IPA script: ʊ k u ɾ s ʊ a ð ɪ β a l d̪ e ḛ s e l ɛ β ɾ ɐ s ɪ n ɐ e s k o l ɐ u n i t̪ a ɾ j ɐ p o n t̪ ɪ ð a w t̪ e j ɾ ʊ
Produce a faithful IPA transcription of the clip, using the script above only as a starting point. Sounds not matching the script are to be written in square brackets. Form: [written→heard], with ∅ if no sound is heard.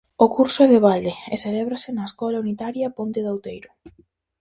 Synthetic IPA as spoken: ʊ k u ɾ s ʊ [a→ɛ] ð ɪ β a l d̪ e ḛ s e l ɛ β ɾ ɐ s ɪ n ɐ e s k [o→ɔ] l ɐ u n i t̪ a ɾ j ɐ p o n t̪ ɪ ð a w t̪ e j ɾ ʊ